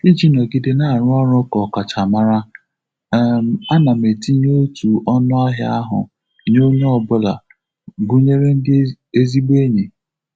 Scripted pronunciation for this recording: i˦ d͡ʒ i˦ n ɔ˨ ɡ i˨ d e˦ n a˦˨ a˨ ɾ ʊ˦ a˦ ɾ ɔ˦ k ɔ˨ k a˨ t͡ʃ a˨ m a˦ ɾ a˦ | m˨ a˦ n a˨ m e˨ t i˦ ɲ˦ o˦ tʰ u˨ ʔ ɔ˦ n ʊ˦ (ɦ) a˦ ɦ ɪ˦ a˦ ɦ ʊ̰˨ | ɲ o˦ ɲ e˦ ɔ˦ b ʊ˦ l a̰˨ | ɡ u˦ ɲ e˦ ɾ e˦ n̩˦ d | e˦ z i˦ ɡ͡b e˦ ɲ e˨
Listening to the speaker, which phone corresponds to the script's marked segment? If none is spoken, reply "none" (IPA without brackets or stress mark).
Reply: none